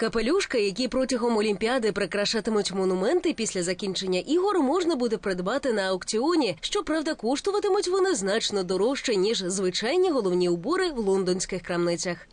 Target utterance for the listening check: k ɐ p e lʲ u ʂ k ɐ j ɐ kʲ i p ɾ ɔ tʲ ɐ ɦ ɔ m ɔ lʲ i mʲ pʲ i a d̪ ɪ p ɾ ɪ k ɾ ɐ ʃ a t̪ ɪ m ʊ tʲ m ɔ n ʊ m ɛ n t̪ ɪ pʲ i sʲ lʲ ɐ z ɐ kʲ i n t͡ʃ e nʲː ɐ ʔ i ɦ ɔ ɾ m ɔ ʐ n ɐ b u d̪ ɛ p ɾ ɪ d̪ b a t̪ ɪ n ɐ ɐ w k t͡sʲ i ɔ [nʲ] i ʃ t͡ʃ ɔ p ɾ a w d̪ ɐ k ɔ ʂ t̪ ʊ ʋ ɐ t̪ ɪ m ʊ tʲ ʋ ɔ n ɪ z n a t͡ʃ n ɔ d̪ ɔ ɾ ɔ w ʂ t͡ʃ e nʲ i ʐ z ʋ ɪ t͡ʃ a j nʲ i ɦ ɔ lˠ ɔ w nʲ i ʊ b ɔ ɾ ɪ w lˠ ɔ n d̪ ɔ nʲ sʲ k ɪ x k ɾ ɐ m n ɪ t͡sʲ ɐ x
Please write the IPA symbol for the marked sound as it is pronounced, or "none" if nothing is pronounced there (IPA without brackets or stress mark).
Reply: nʲ